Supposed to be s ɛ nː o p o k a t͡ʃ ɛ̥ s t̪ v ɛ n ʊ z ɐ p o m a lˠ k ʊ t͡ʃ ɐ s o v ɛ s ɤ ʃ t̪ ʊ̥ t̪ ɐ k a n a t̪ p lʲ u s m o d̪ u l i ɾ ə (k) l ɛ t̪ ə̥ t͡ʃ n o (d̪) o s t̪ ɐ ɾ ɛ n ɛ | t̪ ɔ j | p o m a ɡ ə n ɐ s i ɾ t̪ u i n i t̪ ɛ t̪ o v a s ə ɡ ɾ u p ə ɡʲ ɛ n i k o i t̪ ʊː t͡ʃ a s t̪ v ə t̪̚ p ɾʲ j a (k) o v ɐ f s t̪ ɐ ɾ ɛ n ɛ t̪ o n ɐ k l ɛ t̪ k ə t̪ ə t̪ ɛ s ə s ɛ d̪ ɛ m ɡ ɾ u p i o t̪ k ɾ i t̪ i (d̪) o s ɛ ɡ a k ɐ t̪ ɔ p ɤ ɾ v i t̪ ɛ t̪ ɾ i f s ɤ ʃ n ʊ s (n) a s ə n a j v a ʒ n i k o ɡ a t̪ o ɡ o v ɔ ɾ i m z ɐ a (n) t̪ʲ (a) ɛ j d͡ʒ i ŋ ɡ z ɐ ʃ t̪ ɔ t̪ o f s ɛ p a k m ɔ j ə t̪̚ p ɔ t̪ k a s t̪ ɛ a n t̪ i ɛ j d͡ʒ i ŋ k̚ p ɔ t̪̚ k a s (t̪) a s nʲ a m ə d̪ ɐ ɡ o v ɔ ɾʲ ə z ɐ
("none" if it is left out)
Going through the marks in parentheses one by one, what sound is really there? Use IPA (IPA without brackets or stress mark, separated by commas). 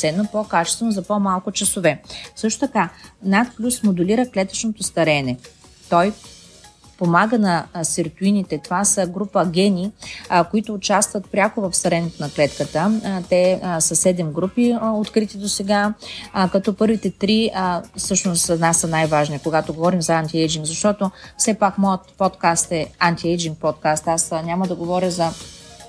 k, t̪, k, d̪, n, n, i, t̪